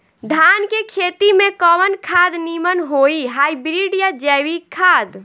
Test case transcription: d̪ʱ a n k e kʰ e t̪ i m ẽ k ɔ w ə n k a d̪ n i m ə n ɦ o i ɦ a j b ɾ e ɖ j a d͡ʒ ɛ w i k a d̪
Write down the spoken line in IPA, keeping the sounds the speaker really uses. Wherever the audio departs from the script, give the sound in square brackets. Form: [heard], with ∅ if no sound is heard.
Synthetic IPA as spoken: d̪ʱ a n k e kʰ e t̪ i m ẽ k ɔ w ə n [kʰ] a d̪ n i m ə n ɦ o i ɦ a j b ɾ [i] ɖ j a d͡ʒ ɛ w i [kʰ] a d̪